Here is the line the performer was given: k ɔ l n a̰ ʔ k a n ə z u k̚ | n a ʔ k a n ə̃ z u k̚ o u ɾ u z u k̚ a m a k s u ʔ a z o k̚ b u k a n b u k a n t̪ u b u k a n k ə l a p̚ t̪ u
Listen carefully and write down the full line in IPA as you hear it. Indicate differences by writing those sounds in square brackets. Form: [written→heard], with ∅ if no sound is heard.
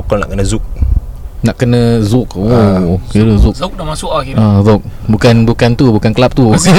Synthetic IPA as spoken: k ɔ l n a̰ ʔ k [a→ə] n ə z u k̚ | n a ʔ k [a→ə] n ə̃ z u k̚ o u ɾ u z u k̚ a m a [k→∅] s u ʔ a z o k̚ b u k a n b u k a n t̪ u b u k a n k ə l a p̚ t̪ u